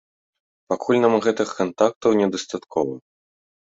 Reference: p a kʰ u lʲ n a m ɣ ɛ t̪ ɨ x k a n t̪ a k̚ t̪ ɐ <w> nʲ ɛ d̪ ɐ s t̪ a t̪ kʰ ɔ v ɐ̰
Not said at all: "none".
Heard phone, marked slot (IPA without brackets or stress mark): w